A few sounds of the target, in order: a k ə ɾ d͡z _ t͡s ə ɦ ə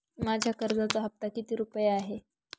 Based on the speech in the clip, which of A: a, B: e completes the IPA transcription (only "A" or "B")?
A